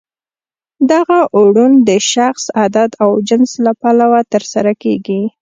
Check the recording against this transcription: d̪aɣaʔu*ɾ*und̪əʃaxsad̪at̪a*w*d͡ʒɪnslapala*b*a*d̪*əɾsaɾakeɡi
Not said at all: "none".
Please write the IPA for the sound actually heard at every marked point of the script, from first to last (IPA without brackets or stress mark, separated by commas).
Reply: ɽ, w, w, t̪